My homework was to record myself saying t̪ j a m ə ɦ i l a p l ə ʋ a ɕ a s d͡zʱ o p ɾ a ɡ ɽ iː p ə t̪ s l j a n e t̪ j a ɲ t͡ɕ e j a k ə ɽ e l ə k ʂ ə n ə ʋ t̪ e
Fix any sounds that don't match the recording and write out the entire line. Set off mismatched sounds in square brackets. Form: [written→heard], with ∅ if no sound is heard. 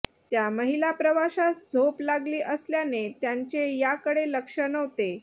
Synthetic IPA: t̪ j a m ə ɦ i l a p [l→ɾ] ə ʋ a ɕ a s d͡zʱ o p [ɾ→l] a ɡ [ɽ→l] iː [p→ʔ] ə [t̪→∅] s l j a n e t̪ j a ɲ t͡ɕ e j a k ə ɽ e l ə k ʂ ə n ə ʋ t̪ e